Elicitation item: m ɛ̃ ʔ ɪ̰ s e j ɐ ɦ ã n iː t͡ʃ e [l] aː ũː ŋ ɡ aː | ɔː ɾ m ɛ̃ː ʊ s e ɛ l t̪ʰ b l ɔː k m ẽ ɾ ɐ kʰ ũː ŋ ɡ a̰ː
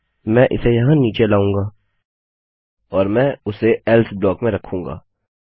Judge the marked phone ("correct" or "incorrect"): correct